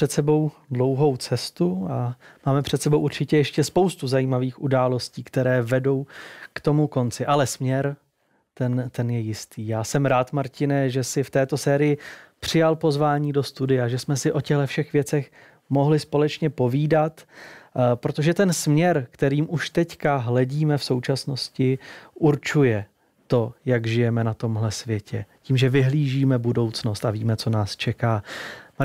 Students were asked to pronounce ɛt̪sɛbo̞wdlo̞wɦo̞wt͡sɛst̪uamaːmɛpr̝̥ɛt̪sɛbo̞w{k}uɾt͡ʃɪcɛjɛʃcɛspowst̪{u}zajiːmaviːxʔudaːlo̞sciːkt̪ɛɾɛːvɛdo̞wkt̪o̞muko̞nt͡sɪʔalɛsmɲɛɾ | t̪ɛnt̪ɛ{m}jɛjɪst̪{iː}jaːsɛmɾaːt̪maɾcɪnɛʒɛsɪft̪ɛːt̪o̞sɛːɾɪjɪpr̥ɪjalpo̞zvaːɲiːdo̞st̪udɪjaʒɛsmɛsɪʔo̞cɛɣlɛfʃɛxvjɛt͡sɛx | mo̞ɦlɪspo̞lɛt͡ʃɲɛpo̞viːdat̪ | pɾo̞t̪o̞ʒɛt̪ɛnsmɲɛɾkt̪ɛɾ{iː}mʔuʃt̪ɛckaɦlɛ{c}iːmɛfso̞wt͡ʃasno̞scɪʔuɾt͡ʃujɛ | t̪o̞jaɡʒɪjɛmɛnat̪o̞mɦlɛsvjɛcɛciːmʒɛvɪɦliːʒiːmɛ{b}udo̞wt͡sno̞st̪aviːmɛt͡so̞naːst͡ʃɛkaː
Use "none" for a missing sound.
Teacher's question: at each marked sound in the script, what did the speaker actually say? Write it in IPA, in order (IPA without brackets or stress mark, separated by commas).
ʔ, u, n, iː, iː, ɟ, b